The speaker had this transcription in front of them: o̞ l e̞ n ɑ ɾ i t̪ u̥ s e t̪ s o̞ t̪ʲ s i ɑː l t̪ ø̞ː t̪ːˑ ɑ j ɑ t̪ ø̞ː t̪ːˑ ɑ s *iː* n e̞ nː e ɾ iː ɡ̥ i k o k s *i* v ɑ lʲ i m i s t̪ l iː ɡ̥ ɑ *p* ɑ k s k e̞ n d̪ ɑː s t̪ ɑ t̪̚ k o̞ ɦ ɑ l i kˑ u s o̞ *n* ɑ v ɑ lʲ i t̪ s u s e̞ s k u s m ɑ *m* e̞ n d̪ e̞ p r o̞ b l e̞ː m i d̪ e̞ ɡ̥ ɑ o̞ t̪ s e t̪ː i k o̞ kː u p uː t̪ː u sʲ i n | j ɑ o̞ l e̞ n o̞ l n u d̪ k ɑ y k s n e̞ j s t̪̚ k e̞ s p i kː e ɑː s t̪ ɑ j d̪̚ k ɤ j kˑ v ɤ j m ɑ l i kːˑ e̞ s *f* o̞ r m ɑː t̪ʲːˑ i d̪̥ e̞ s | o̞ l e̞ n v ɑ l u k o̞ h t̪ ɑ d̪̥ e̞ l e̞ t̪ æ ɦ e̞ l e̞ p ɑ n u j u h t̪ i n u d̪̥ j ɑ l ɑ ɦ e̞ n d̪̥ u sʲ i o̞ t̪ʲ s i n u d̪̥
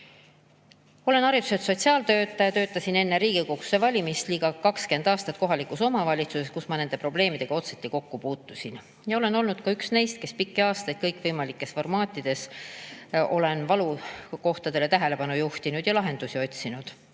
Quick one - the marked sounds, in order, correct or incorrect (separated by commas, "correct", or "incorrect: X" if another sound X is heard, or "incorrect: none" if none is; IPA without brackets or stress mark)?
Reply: incorrect: i, incorrect: e, incorrect: k, incorrect: m, incorrect: n, correct